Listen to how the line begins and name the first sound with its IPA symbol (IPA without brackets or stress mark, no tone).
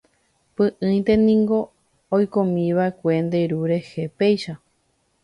p